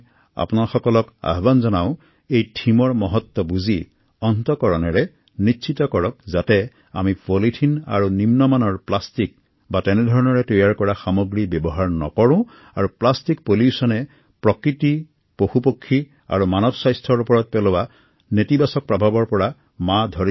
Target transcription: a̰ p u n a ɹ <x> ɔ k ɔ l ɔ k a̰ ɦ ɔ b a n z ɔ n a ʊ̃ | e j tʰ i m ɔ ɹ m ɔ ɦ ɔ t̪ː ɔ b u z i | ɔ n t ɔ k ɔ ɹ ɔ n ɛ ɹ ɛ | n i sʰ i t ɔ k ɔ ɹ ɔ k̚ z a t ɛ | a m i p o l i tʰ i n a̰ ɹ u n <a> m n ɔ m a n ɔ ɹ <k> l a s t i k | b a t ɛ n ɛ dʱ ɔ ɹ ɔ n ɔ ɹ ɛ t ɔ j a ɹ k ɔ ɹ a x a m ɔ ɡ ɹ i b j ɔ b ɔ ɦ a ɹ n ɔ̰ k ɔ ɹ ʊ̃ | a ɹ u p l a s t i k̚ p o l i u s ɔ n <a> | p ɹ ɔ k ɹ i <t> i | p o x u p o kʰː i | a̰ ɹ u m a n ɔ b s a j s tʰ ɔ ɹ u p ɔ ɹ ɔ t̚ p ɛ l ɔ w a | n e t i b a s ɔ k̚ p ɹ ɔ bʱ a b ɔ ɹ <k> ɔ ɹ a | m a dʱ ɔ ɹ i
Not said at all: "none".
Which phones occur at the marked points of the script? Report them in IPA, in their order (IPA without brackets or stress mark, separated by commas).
x, i, p, ɛ, t, p